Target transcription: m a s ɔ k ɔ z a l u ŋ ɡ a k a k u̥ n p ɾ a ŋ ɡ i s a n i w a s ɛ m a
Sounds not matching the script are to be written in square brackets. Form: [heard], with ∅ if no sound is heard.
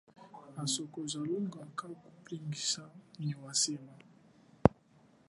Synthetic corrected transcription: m a s ɔ k ɔ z a l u ŋ ɡ a k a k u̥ [∅] p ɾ [i] ŋ ɡ i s a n i w a s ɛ m a